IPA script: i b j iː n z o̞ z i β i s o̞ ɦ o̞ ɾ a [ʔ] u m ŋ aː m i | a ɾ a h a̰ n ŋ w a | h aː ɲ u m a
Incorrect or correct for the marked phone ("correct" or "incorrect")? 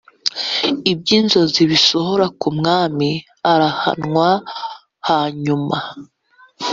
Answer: incorrect